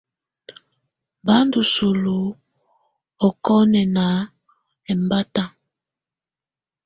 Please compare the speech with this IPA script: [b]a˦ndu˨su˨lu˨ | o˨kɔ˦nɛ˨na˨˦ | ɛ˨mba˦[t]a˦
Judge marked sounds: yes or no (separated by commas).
yes, yes